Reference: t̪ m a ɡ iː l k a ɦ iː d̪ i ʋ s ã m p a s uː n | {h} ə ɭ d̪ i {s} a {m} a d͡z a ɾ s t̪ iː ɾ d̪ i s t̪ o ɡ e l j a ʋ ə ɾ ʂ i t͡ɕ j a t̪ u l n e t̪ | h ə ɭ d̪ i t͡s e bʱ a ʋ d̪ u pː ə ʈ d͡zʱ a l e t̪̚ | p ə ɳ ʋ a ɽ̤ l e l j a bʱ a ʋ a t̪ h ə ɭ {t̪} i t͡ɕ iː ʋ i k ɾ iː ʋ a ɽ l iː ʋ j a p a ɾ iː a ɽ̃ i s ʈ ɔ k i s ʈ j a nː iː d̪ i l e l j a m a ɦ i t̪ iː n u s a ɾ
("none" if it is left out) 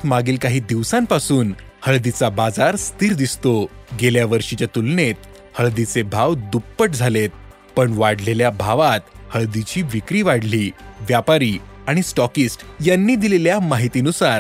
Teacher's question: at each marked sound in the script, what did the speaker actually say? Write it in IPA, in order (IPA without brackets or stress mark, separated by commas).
h, t͡s, b, d̪